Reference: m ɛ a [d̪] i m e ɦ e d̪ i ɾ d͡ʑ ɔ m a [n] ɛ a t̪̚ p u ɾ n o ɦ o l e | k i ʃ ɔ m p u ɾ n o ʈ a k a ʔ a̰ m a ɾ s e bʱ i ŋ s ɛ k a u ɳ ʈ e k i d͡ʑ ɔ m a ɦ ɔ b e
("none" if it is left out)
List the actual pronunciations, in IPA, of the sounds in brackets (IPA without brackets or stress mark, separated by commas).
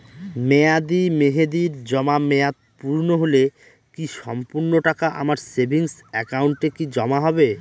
d̪, m